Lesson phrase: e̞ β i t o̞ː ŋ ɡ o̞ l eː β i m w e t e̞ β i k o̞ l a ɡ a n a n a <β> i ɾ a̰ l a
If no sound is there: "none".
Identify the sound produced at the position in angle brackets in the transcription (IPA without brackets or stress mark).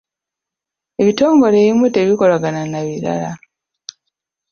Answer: β